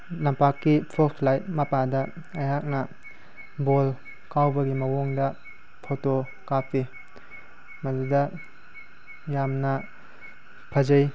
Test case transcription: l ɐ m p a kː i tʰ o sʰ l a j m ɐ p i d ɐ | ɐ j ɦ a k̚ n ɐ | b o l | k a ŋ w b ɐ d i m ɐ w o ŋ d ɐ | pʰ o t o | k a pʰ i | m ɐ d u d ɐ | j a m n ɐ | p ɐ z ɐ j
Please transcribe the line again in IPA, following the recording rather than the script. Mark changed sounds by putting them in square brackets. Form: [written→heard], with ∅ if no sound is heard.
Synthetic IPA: l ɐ m p a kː i [tʰ→pʰ] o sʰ l a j m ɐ p [i→a] d ɐ | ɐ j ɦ a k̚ n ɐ | b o l | k a [ŋ→∅] w b ɐ [d→ɡ] i m ɐ w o ŋ d ɐ | pʰ o t o | k a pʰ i | m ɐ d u d ɐ | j a m n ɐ | [p→pʰ] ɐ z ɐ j